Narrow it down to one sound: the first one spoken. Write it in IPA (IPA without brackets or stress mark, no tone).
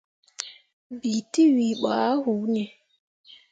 b